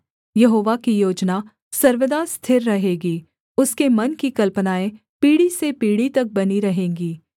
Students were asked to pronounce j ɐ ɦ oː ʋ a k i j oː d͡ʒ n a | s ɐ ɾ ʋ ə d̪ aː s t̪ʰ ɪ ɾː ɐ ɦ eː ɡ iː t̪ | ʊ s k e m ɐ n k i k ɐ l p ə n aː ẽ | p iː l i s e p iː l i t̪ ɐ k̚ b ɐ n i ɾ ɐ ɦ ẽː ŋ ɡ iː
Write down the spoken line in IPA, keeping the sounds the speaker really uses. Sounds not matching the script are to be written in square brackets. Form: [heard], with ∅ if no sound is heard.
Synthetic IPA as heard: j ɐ ɦ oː ʋ a k i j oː d͡ʒ n a | s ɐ ɾ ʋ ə d̪ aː s t̪ʰ ɪ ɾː ɐ ɦ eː ɡ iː [∅] | ʊ s k e m ɐ n k i k ɐ l p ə n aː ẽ | p iː [ɽ] i s e p iː [ɽ] i t̪ ɐ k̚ b ɐ n i ɾ ɐ ɦ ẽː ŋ ɡ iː

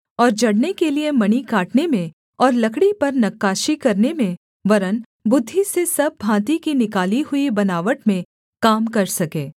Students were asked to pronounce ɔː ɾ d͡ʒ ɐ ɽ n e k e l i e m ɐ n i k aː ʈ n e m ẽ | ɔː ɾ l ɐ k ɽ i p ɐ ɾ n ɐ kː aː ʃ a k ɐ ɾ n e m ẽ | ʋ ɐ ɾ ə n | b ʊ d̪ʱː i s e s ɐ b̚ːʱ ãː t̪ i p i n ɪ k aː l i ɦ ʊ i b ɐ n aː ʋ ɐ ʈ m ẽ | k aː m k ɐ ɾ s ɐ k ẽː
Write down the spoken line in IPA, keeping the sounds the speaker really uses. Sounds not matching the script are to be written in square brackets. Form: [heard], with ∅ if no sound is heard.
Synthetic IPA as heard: ɔː ɾ d͡ʒ ɐ ɽ n e k e l i e m ɐ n i k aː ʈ n e m ẽ | ɔː ɾ l ɐ k ɽ i p ɐ ɾ n ɐ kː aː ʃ [i] k ɐ ɾ n e m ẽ | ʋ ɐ ɾ ə n | b ʊ d̪ʱː i s e s ɐ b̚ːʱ ãː t̪ i [k] i n ɪ k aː l i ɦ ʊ i b ɐ n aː ʋ [ə] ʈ m ẽ | k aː m k ɐ ɾ s ɐ k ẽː

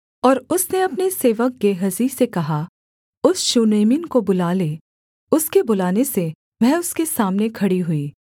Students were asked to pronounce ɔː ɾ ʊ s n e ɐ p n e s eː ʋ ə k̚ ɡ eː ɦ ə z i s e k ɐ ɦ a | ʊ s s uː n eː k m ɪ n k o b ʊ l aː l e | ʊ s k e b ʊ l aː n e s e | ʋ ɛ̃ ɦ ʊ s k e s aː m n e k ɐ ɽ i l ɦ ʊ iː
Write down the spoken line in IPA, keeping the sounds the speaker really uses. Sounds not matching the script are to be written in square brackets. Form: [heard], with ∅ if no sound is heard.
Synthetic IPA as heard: ɔː ɾ ʊ s n e ɐ p n e s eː ʋ ə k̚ ɡ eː ɦ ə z i s e k ɐ ɦ a | ʊ s [ʃ] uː n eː [∅] m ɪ n k o b ʊ l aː l e | ʊ s k e b ʊ l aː n e s e | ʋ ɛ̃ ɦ ʊ s k e s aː m n e [kʰ] ɐ ɽ i [∅] ɦ ʊ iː

